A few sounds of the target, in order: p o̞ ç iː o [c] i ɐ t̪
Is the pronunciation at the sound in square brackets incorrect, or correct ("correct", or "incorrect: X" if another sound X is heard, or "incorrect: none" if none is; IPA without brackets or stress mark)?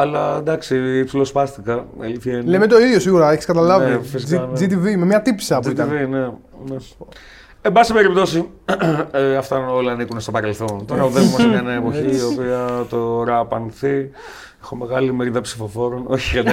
incorrect: p